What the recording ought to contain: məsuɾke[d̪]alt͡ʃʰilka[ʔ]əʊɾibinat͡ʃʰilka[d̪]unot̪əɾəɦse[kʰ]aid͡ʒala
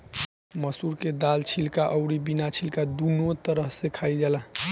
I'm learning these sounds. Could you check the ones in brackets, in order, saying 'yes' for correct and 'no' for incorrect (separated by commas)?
yes, yes, yes, yes